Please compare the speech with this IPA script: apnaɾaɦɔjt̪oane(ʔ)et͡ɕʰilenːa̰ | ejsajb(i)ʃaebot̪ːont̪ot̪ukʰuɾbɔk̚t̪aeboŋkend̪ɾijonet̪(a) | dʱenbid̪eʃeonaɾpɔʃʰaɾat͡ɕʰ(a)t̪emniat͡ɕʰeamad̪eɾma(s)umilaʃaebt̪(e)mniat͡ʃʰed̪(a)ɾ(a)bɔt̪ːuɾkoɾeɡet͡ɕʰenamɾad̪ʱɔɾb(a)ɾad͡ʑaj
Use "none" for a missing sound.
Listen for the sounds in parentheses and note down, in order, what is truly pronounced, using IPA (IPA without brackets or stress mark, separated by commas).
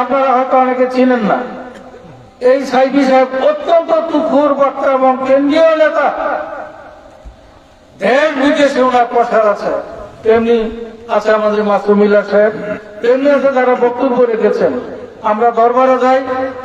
k, i, a, e, s, e, a, a, a